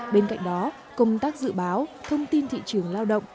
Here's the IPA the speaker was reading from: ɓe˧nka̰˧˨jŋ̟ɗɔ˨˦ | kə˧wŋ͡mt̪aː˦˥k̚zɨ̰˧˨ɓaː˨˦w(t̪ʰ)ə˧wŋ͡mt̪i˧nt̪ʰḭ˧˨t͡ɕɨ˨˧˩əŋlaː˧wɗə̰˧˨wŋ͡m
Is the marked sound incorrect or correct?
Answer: correct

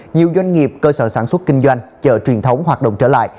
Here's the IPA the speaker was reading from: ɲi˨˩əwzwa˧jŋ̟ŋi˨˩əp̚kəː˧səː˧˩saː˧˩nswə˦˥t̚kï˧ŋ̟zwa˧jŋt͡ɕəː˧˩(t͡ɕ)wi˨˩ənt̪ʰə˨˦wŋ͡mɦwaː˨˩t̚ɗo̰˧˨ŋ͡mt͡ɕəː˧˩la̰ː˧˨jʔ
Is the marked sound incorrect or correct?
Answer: correct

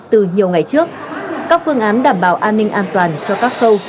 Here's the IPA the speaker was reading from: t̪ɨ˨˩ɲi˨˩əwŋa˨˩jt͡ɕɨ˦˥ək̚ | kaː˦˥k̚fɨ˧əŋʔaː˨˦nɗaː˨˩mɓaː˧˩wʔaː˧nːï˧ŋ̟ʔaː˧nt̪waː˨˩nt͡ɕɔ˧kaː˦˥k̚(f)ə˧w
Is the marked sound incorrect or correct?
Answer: incorrect: x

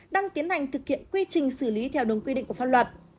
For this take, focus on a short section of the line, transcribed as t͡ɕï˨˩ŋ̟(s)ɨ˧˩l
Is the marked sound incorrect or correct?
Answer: correct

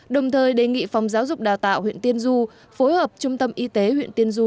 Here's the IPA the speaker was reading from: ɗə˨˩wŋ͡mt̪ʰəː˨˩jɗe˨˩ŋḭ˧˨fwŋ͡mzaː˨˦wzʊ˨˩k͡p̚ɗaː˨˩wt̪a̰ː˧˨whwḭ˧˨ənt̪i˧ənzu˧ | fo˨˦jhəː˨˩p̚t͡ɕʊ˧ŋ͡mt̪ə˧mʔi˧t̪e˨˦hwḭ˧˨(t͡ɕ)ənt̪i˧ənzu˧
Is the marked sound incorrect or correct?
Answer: incorrect: none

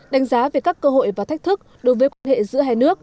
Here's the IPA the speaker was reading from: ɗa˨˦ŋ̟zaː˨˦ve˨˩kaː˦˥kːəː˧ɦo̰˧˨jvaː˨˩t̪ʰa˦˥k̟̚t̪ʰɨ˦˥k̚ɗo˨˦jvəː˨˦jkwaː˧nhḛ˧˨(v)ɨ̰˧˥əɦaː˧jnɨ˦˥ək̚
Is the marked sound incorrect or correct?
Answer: incorrect: z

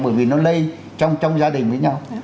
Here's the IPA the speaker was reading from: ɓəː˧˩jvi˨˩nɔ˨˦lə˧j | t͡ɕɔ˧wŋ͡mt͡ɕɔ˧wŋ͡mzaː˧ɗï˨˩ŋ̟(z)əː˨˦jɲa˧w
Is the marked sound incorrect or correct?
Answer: incorrect: v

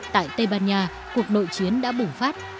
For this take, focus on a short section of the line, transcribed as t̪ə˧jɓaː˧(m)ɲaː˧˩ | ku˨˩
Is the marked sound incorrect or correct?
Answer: incorrect: n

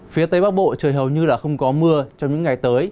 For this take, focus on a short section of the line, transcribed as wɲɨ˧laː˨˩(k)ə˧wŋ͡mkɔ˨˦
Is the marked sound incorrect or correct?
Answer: incorrect: x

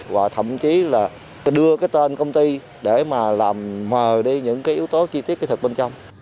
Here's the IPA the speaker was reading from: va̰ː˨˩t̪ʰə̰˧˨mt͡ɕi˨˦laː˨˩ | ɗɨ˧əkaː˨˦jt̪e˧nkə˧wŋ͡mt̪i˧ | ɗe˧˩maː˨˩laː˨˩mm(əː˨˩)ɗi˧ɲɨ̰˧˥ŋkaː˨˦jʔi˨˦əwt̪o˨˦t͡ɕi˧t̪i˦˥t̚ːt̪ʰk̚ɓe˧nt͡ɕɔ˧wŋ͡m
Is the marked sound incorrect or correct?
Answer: correct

